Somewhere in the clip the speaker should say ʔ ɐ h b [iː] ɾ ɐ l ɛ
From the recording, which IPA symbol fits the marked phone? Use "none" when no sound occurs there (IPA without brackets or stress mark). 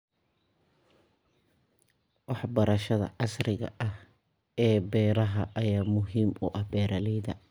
ɛː